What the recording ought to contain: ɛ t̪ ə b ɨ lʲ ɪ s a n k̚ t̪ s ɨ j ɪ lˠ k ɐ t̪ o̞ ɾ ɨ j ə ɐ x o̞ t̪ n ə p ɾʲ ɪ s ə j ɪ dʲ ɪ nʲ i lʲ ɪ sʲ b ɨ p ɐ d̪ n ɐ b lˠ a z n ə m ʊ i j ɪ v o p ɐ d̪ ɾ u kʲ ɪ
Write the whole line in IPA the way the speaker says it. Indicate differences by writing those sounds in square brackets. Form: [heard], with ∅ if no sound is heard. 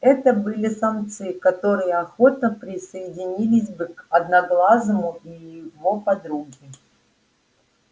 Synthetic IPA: ɛ t̪ ə b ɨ lʲ ɪ s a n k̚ t̪ s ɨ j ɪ [∅] k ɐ t̪ o̞ ɾ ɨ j ə ɐ x o̞ t̪ n ə p ɾʲ ɪ s ə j ɪ dʲ ɪ nʲ i lʲ ɪ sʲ b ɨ [k] ɐ d̪ n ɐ [ɡ] lˠ a z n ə m ʊ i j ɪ v o p ɐ d̪ ɾ u [ɡʲ] ɪ